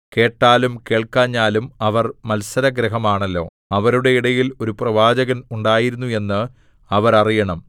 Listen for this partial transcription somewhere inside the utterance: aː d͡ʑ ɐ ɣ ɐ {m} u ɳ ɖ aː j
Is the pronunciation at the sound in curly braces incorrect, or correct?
incorrect